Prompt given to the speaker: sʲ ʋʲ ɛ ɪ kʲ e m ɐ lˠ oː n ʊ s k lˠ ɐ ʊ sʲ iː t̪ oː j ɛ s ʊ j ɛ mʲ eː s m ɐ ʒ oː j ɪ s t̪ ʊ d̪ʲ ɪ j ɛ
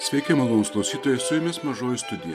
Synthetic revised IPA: sʲ ʋʲ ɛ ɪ kʲ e m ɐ lˠ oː n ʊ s k lˠ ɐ ʊ sʲ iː t̪ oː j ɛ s ʊ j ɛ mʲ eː s m ɐ ʒ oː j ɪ s t̪ ʊ d̪ʲ ɪ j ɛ